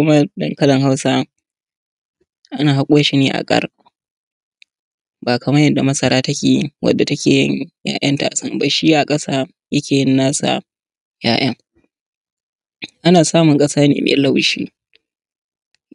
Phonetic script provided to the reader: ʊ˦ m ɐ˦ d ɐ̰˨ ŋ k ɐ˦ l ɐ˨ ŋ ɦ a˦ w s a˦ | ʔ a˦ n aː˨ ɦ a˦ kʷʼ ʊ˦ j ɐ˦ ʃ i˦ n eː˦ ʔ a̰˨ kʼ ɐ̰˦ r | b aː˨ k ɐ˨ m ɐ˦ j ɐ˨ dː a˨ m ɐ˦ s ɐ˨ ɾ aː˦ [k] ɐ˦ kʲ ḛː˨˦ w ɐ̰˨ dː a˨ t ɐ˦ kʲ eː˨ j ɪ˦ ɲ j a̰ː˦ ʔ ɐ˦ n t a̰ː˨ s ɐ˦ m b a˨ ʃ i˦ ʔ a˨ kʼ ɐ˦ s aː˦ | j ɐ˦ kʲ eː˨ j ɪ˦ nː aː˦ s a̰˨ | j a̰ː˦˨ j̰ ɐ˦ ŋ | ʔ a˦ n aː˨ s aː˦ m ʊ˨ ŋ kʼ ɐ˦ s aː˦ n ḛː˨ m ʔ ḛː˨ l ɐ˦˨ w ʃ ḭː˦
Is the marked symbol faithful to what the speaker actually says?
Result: no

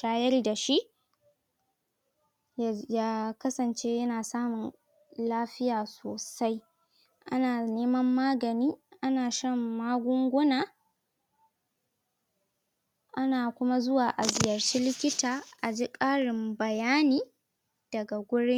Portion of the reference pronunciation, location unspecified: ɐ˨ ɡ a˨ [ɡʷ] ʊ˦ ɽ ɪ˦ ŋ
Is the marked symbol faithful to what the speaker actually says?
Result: yes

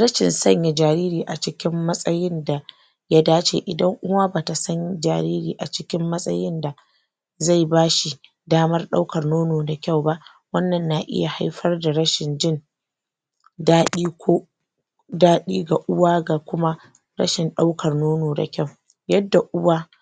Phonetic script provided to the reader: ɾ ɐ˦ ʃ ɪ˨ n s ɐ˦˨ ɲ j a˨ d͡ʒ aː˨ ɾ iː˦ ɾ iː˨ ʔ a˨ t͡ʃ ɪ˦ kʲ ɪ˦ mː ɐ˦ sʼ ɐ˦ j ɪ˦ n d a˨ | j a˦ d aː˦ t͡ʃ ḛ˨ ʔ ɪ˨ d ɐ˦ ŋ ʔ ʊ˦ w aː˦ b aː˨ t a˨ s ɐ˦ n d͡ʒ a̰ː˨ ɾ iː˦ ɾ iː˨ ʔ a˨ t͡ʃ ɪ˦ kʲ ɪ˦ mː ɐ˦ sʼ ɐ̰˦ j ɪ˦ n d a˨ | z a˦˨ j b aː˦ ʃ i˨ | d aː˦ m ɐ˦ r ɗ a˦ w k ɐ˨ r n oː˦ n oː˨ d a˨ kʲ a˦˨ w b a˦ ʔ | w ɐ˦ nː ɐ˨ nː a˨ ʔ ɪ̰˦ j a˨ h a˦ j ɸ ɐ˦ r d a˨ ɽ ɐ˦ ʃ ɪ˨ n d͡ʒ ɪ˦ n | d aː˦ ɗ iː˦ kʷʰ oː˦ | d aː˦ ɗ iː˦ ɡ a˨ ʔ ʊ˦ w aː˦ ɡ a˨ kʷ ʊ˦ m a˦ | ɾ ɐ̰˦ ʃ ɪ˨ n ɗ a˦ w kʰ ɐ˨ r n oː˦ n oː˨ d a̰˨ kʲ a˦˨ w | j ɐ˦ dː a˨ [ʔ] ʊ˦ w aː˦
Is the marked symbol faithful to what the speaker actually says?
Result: yes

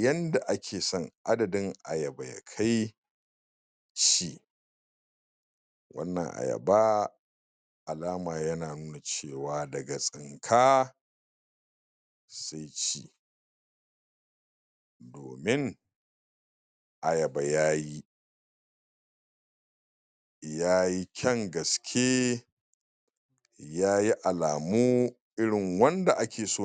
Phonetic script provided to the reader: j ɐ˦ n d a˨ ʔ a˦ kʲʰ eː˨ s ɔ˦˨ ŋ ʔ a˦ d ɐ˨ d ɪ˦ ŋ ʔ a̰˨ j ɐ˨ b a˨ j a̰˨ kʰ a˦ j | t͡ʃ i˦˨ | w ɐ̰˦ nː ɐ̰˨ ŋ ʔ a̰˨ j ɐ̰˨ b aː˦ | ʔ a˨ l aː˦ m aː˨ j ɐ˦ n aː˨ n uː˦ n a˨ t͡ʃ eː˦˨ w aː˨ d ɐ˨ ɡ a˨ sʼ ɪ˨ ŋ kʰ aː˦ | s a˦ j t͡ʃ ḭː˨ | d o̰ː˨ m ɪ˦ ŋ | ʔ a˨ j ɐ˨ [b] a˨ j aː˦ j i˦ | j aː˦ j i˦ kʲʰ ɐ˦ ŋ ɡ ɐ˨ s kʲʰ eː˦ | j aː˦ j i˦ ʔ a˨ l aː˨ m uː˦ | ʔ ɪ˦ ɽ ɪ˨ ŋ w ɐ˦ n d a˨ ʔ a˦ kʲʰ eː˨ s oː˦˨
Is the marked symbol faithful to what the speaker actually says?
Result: yes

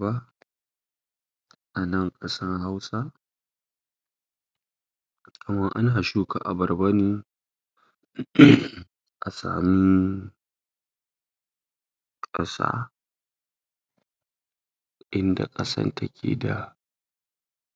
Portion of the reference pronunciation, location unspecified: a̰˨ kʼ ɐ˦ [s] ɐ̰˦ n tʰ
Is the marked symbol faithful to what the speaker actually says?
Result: yes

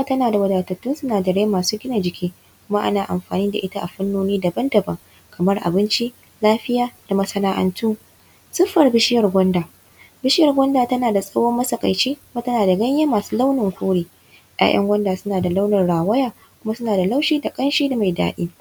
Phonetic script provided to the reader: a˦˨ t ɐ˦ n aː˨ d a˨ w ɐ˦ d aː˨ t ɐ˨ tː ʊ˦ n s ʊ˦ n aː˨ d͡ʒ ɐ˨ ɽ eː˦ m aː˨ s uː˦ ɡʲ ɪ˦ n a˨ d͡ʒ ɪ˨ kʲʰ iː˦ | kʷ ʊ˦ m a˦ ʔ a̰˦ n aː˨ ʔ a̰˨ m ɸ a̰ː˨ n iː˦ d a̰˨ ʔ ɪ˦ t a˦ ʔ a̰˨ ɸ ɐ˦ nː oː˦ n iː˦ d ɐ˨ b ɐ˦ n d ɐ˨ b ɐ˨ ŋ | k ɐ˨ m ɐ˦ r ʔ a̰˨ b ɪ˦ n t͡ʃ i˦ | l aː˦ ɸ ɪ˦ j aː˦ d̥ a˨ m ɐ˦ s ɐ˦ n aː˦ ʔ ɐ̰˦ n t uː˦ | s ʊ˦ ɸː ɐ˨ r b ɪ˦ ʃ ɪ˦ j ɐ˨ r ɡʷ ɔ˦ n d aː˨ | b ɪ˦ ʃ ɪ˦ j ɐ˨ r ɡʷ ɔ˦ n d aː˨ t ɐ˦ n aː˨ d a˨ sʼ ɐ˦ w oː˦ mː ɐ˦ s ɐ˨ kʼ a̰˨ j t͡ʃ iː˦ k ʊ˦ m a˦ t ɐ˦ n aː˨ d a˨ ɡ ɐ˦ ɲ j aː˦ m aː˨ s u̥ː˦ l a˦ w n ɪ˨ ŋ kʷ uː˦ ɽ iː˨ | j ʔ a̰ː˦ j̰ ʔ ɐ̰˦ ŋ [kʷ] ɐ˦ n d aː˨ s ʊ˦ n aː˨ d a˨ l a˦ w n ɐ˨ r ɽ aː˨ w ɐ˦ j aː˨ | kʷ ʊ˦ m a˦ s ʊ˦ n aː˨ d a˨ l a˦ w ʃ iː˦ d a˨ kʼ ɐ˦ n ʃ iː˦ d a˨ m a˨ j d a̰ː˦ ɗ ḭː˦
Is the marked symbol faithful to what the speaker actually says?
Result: no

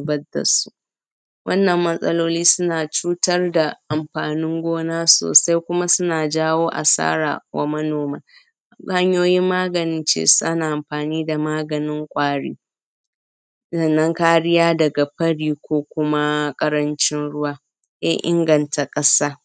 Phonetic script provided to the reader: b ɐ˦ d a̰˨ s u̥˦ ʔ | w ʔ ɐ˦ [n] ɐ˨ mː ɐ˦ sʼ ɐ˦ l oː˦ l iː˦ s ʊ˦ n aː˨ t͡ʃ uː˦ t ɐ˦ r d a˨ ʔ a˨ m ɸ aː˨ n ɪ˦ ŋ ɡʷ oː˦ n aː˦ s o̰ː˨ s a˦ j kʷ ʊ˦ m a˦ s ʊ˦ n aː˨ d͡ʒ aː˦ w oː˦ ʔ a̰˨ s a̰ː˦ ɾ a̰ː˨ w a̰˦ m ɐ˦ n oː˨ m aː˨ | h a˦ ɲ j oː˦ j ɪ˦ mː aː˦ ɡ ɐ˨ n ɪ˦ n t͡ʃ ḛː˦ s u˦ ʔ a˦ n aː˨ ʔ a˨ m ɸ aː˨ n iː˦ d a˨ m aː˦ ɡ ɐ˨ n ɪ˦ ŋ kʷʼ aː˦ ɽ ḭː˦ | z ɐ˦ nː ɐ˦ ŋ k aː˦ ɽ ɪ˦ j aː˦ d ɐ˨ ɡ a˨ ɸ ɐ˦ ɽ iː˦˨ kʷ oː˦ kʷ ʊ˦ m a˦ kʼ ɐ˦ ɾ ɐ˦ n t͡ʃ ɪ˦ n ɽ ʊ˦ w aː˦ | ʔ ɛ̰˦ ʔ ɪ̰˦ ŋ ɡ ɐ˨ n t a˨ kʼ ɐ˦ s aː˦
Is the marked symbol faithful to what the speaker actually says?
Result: no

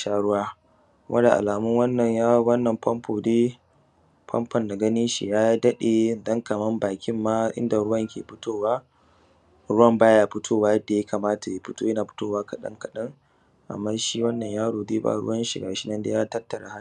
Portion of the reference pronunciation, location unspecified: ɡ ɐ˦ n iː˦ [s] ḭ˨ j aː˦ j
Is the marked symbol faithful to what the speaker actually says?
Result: no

